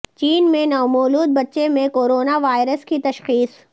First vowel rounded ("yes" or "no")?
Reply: no